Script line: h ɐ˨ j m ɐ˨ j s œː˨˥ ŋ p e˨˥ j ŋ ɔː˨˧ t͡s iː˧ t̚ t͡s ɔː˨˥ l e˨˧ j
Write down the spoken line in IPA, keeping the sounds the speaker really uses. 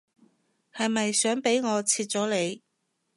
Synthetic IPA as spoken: h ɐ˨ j m ɐ˨ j s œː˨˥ ŋ p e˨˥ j ŋ ɔː˨˧ t͡sʰ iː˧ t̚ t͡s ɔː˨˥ l e˨˧ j